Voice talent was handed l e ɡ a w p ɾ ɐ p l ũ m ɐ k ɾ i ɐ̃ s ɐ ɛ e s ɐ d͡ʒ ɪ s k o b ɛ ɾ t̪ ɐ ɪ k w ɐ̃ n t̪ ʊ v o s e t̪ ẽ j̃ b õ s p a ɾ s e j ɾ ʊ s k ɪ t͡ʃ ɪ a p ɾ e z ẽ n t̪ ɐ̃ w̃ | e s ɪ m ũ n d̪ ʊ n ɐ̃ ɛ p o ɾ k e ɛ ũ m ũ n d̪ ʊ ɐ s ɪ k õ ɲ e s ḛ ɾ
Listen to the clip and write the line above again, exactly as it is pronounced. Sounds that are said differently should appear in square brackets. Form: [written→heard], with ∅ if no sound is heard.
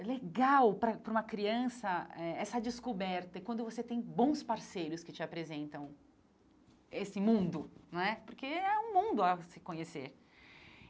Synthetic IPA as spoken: l e ɡ a w p ɾ ɐ p [l→ɾ] ũ m ɐ k ɾ i ɐ̃ s ɐ ɛ [e→ɛ] s ɐ d͡ʒ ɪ s k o b ɛ ɾ t̪ ɐ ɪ k w ɐ̃ n [t̪→d̪] ʊ v o s e t̪ ẽ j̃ b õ s p a ɾ s e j ɾ ʊ s k ɪ t͡ʃ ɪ a p ɾ e z ẽ n t̪ ɐ̃ w̃ | e s ɪ m ũ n d̪ ʊ n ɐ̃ ɛ p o ɾ k e ɛ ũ m ũ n d̪ ʊ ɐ s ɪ k õ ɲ e s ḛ ɾ